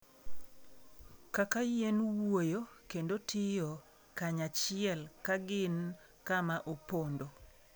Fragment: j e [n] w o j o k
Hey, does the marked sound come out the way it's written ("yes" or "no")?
yes